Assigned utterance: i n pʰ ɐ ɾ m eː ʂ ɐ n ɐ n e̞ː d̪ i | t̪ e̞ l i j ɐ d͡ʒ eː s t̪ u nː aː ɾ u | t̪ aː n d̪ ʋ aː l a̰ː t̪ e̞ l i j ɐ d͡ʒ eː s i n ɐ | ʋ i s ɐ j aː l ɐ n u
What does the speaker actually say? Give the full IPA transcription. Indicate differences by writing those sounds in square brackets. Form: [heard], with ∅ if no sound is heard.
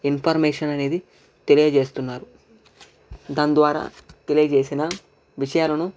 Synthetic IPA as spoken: i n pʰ ɐ ɾ m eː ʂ ɐ n ɐ n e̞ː d̪ i | t̪ e̞ l i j ɐ d͡ʒ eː s t̪ u nː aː ɾ u | [d̪] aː n d̪ ʋ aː [ɾ] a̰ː t̪ e̞ l i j ɐ d͡ʒ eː s i n ɐ | ʋ i [ʂ] ɐ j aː l ɐ n u